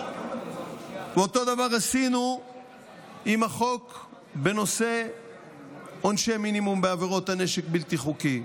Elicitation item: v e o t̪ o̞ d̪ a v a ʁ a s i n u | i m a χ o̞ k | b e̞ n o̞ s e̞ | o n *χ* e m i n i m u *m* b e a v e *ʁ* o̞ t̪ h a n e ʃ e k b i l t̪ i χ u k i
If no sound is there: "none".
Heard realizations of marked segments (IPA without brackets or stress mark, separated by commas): ʃ, m, ʁ